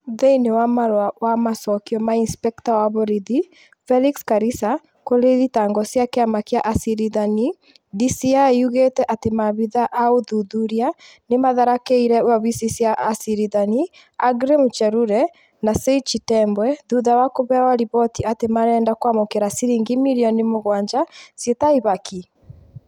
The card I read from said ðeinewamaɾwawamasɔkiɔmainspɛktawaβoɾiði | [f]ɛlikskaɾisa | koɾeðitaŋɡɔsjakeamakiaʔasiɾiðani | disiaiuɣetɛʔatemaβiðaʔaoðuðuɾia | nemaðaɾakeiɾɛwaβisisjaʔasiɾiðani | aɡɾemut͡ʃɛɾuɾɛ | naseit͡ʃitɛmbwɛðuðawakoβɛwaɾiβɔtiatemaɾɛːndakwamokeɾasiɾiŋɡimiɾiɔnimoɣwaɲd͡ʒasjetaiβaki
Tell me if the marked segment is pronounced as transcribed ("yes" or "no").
yes